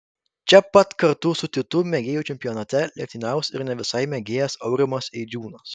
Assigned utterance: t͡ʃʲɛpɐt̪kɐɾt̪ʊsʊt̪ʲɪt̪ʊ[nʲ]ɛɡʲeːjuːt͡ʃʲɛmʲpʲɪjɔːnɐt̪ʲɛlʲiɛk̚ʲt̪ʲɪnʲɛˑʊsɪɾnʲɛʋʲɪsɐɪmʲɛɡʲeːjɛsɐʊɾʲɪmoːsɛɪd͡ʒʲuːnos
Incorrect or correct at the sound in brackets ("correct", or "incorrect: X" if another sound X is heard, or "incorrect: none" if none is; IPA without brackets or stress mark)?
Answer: incorrect: mʲ